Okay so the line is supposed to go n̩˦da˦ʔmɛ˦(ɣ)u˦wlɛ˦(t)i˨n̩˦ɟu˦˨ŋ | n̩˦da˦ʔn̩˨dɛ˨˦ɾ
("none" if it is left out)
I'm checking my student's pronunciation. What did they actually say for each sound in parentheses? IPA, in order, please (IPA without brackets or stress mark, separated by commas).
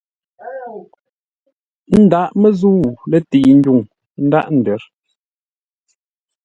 z, t